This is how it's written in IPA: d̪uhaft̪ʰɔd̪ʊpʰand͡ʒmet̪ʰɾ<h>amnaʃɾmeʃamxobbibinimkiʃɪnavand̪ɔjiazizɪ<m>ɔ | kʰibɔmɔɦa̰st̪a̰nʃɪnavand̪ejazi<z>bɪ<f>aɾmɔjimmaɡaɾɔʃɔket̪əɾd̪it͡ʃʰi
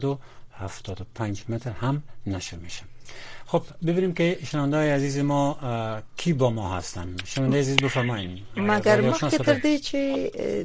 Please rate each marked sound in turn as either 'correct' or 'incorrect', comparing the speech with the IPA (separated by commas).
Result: correct, correct, correct, correct